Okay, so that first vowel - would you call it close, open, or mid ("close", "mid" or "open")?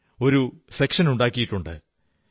mid